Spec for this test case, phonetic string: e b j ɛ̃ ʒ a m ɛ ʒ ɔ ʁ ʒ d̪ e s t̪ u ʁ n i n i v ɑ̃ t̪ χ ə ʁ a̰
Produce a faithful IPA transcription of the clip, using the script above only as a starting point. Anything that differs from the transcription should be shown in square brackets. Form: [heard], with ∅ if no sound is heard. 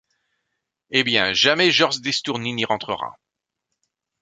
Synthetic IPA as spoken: e b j ɛ̃ ʒ a m ɛ ʒ ɔ ʁ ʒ d̪ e s t̪ u ʁ n i n i [ʁ] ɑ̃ t̪ χ ə ʁ a̰